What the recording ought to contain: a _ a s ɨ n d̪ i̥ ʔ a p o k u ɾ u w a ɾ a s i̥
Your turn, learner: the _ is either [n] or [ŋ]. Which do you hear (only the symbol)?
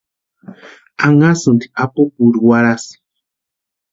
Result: ŋ